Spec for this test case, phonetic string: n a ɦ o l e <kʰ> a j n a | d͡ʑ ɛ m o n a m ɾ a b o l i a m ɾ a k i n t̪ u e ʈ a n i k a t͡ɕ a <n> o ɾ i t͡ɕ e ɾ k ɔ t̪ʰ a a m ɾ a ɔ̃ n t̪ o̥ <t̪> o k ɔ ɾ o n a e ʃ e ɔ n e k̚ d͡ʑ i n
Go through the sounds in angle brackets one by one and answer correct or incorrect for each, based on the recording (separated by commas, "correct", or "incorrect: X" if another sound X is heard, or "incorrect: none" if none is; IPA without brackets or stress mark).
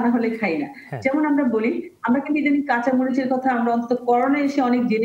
correct, incorrect: m, correct